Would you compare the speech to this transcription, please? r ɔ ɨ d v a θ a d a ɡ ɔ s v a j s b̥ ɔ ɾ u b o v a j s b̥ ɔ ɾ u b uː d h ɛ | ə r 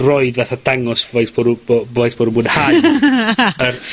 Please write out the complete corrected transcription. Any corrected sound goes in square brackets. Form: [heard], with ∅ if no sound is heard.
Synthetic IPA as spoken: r ɔ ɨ d v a θ a d a [ŋ] ɔ s v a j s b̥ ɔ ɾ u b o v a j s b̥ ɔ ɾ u b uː d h [a] | ə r

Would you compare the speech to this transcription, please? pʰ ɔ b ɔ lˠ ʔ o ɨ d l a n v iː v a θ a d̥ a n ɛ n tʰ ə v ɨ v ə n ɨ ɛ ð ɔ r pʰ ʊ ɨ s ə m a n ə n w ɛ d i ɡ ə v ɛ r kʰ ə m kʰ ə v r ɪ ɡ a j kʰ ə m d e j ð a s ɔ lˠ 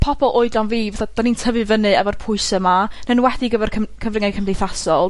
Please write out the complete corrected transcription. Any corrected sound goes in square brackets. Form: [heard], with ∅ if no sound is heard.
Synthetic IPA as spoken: pʰ ɔ b ɔ lˠ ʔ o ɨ d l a n v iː v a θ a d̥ a n [i] n tʰ ə v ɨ v ə n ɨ ɛ [v] ɔ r pʰ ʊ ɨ s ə m a n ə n w ɛ d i ɡ ə v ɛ r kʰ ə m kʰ ə v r ɪ [ŋ] a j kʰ ə m d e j [θ] a s ɔ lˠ

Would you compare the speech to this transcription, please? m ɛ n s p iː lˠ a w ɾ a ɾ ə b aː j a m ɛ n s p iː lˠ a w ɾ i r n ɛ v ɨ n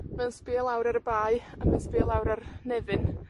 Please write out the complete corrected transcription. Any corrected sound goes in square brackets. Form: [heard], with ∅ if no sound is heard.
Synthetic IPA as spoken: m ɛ n s p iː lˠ a w ɾ a ɾ ə b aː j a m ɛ n s p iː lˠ a w ɾ [a] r n ɛ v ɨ n

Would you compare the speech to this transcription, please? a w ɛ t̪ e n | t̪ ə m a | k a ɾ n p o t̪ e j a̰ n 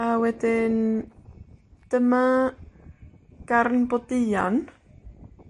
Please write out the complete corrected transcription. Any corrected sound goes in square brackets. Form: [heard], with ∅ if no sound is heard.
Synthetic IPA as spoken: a w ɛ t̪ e n | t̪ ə m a | k a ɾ n p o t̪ [i] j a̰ n

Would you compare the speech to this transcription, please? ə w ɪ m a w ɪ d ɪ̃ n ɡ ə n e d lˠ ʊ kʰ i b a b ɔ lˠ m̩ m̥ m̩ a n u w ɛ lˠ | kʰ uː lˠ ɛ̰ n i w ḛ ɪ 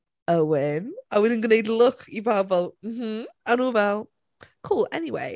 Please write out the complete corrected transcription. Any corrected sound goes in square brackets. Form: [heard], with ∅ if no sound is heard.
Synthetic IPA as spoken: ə w ɪ m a w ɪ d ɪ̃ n ɡ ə n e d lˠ ʊ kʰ i b a b ɔ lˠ m̩ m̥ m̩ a n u [v] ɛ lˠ | kʰ uː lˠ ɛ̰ n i w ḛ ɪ

